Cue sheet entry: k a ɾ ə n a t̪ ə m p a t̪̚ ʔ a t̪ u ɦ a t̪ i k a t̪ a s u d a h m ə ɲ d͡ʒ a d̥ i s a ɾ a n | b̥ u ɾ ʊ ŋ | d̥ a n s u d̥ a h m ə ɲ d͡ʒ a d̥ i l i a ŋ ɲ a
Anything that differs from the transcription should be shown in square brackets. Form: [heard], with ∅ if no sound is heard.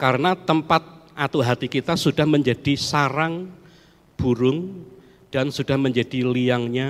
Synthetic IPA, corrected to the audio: k a ɾ ə n a t̪ ə m p a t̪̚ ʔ a t̪ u ɦ a t̪ i k [i] t̪ a s u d a h m ə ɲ d͡ʒ a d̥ i s a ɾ a [ŋ] | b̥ u ɾ ʊ ŋ | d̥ a n s u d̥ a h m ə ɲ d͡ʒ a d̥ i l i a ŋ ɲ a